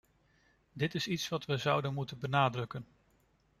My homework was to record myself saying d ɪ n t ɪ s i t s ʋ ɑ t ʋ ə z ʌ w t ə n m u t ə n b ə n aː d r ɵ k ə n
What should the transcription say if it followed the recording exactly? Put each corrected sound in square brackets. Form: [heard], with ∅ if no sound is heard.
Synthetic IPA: d ɪ [∅] t ɪ s i t s ʋ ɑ t ʋ ə z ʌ w [d] ə n m u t ə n b ə n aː d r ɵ k ə n